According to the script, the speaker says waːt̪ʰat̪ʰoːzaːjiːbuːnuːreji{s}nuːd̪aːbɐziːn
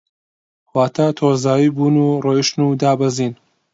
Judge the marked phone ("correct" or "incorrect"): incorrect